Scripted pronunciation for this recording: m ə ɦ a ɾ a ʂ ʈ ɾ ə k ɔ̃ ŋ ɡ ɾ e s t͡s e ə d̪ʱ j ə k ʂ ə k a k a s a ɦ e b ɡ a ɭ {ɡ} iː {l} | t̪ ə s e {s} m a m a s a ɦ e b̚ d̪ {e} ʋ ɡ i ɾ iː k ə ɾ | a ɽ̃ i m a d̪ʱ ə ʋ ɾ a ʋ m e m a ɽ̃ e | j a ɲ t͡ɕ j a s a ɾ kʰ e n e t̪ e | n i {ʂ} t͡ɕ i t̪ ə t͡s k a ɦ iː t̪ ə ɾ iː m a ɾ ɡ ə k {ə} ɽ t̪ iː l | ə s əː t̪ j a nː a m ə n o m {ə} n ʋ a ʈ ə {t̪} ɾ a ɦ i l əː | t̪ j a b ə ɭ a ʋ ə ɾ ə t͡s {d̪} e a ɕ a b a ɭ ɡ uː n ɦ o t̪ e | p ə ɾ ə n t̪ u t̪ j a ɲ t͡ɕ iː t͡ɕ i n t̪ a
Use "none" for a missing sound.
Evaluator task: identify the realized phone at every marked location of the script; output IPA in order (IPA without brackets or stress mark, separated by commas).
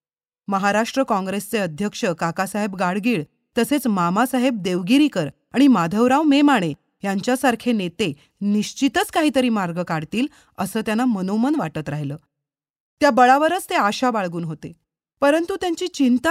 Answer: ɡ, ɭ, t͡s, e, ɕ, a, ə, t̪, t̪